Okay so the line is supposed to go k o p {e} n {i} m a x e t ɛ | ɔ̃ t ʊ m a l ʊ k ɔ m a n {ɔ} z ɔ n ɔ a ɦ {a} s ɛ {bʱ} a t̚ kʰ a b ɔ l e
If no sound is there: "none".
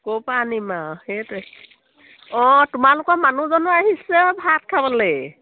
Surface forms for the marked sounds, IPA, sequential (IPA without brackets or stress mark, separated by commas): a, i, u, i, bʱ